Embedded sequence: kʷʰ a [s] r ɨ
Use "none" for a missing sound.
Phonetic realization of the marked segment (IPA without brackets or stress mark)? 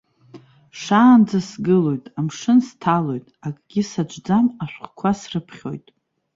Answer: s